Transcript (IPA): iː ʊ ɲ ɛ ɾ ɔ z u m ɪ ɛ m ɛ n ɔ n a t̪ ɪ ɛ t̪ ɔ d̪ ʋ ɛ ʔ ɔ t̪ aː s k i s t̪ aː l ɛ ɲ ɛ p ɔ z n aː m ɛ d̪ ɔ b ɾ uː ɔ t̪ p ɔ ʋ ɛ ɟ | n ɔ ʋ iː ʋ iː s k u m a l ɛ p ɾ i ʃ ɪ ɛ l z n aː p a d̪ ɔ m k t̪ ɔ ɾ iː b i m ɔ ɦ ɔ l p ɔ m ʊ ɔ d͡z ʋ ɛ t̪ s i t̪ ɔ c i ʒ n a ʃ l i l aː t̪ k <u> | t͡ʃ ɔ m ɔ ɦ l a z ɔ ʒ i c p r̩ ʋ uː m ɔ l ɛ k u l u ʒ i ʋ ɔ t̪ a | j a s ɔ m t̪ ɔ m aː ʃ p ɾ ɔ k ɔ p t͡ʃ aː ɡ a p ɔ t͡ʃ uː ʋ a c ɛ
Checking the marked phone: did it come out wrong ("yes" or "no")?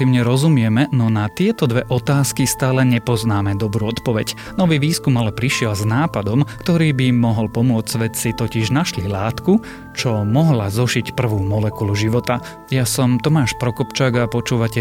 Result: no